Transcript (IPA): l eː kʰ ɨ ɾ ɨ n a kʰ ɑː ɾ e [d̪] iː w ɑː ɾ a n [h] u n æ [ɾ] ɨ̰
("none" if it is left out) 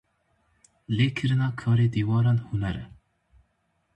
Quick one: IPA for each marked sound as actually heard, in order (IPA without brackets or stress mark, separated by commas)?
d̪, h, ɾ